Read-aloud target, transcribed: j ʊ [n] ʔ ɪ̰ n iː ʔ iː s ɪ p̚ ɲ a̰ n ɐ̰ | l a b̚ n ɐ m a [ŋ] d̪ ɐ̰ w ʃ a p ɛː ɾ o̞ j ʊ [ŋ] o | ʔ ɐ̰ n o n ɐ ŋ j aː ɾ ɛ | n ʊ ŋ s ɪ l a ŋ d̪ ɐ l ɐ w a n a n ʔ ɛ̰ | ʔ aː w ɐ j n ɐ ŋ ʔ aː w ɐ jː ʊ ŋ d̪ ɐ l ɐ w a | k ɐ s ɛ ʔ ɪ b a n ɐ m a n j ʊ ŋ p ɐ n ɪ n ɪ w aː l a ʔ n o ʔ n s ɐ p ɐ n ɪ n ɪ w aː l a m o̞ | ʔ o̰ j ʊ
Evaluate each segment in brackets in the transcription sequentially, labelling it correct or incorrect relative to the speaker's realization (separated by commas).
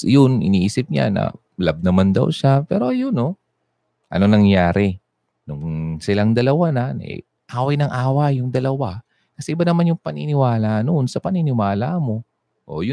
correct, incorrect, incorrect